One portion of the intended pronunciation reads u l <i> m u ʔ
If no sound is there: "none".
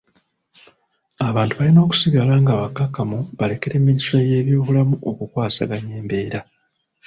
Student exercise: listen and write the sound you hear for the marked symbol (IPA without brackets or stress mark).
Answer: a